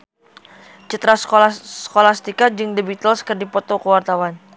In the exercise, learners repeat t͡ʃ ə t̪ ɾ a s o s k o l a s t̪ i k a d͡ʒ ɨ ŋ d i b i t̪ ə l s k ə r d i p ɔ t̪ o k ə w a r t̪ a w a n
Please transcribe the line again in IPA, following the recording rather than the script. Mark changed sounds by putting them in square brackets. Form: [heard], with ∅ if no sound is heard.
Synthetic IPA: t͡ʃ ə t̪ ɾ a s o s k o l a s t̪ i k a d͡ʒ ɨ ŋ d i b i t̪ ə l s k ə r d i p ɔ t̪ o k ə w a r t̪ a w a n